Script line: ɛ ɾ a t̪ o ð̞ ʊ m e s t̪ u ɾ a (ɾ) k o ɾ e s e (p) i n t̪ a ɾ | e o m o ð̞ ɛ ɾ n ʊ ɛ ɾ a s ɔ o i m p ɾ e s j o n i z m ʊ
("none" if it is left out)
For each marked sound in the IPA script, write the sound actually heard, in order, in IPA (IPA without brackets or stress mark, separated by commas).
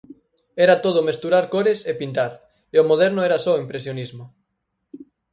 ɾ, p